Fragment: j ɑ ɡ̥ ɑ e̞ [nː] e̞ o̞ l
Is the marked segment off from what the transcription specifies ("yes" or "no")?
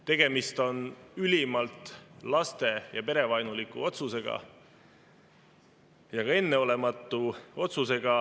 no